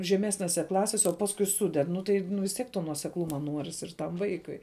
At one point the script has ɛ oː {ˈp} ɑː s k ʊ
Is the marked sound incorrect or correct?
correct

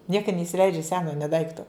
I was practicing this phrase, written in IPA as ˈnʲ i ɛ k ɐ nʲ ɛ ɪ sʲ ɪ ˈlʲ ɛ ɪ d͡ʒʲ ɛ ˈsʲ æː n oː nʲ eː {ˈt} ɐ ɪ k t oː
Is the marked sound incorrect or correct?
incorrect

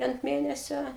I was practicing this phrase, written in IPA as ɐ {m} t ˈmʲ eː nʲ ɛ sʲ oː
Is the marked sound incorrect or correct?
incorrect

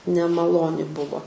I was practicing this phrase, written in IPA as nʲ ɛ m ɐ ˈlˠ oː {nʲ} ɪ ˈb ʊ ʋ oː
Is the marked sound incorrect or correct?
correct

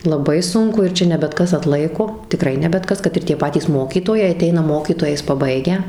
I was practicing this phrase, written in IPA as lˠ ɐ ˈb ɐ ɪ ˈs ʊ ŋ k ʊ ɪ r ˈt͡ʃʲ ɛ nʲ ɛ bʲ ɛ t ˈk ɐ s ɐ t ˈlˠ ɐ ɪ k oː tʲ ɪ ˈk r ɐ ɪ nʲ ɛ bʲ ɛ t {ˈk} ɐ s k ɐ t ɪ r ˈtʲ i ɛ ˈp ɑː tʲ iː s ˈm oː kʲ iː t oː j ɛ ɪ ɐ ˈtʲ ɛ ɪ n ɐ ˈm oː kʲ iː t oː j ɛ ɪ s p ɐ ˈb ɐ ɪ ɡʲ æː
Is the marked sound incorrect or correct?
correct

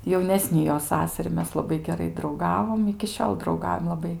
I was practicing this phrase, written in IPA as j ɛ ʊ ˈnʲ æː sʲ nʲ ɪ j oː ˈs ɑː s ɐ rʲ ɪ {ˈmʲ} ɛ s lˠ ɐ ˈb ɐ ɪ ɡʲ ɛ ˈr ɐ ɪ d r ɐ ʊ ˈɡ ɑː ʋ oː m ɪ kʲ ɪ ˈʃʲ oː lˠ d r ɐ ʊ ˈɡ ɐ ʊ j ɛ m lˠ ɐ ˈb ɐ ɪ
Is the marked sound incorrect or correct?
correct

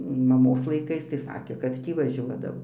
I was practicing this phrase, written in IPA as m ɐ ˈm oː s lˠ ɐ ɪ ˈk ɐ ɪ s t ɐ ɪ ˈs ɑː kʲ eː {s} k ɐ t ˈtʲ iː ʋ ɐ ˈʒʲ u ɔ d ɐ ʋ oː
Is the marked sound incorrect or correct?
incorrect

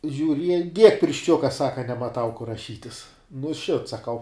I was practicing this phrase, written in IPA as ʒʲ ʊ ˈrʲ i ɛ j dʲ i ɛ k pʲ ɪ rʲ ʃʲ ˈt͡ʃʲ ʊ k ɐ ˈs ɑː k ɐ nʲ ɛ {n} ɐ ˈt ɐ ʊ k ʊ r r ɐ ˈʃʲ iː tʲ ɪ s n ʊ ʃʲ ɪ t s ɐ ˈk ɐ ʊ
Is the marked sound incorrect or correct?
incorrect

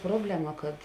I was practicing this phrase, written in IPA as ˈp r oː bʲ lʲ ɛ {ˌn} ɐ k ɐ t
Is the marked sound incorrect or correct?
incorrect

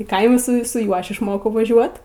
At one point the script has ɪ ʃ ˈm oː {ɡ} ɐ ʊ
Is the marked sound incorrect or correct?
incorrect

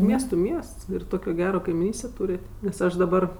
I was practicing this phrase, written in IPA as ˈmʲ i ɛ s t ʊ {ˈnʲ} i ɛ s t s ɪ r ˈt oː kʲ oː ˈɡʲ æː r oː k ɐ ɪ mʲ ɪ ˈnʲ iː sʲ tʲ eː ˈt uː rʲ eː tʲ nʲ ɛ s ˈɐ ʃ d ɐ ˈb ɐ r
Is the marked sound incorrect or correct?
incorrect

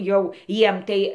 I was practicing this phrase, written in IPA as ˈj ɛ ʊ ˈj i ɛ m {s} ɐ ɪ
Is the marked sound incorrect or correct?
incorrect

